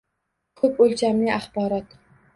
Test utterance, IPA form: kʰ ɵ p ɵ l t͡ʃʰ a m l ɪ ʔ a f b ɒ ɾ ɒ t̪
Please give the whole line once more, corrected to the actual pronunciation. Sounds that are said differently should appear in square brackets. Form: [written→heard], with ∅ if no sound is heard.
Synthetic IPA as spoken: kʰ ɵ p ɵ l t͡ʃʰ a m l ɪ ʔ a [f→χ] b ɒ ɾ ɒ t̪